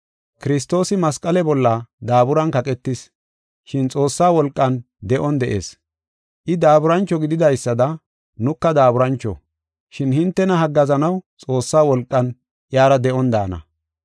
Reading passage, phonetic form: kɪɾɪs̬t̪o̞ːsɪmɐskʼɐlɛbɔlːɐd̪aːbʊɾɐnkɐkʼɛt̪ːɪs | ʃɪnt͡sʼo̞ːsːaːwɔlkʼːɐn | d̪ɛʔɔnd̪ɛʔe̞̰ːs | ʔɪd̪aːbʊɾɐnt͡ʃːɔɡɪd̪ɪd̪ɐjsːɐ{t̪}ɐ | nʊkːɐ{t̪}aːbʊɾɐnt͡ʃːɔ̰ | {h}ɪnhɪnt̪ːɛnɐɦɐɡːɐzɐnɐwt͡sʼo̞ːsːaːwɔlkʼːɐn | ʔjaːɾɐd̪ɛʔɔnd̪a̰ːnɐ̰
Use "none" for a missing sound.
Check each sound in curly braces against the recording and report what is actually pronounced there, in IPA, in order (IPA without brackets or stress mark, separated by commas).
d̪, d̪, ʃ